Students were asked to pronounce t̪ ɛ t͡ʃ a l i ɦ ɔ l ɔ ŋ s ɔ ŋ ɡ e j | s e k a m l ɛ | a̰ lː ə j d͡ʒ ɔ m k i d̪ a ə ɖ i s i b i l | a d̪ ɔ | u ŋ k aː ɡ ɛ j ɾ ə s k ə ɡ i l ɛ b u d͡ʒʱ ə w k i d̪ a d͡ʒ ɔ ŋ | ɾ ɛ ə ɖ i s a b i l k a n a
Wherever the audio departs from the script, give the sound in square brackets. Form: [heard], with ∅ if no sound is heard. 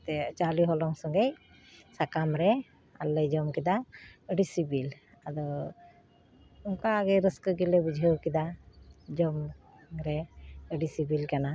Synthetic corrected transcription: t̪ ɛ t͡ʃ a l i ɦ ɔ l ɔ ŋ s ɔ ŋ ɡ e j | s [a] k a m [ɾ] ɛ | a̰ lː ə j d͡ʒ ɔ m k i d̪ a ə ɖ i s i b i l | a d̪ ɔ | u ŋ k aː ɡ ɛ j ɾ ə s k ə ɡ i l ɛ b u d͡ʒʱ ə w k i d̪ a d͡ʒ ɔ [m] | ɾ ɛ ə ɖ i s [i] b i l k a n a